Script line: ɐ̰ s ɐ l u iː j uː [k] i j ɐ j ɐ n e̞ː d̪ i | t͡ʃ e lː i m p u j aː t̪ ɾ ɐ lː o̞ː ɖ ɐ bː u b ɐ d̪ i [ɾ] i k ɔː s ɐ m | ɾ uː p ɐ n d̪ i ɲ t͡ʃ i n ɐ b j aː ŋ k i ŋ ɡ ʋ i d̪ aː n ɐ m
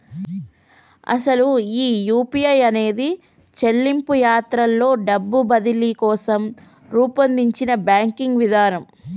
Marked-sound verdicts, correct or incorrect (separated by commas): incorrect, incorrect